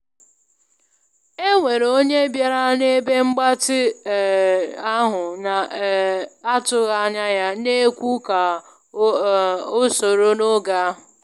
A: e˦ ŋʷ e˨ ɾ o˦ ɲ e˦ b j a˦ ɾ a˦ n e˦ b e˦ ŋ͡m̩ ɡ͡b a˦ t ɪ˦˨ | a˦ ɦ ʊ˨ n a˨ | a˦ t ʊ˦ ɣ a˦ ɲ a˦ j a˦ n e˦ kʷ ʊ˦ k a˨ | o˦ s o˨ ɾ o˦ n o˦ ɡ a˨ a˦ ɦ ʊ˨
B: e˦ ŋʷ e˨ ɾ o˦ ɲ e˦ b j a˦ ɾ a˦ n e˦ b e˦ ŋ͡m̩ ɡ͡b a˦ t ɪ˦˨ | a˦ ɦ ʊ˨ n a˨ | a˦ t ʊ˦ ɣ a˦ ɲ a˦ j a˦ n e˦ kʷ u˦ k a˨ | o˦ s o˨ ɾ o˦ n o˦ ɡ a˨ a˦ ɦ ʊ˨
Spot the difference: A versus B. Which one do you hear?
B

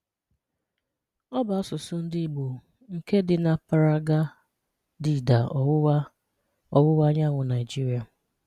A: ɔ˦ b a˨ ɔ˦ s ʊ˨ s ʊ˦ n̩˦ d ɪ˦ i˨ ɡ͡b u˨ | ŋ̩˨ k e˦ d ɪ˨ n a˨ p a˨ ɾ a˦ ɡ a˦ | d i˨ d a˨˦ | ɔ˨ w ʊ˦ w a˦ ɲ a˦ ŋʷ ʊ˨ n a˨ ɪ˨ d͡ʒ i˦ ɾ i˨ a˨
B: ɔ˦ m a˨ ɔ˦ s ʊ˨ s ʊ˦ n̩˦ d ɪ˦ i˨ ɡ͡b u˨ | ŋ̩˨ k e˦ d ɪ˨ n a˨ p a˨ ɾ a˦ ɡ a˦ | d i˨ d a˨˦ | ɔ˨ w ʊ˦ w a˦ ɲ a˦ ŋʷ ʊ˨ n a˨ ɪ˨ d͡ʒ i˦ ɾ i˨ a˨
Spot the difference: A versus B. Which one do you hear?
A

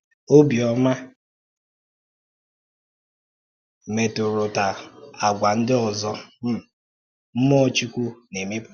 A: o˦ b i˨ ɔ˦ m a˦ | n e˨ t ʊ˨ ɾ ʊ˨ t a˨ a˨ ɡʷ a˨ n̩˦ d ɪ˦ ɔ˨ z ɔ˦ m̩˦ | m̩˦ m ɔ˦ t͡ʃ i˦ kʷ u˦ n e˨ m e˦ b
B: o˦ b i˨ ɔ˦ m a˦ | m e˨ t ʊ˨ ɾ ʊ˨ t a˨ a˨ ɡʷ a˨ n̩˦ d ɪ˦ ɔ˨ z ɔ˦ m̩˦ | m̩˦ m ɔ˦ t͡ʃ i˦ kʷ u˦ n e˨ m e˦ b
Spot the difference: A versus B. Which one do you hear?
B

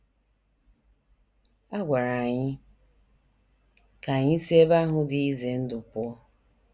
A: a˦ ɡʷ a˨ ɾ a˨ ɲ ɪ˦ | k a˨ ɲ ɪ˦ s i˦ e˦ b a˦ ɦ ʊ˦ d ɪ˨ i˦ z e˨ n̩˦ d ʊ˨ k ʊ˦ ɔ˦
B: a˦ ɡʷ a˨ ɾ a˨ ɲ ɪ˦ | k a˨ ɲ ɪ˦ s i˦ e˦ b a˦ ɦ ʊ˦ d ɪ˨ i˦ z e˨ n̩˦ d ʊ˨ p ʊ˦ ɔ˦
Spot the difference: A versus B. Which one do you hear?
B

